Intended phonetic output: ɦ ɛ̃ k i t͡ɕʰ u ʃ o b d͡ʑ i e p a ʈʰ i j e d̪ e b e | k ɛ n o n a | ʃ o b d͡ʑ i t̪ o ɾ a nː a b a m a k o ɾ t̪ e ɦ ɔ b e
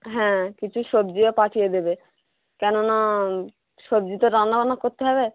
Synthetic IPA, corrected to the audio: ɦ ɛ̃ k i t͡ɕʰ u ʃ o b d͡ʑ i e p a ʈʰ i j e d̪ e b e | k ɛ n o n a | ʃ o b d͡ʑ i t̪ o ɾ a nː a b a n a k o ɾ t̪ e ɦ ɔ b e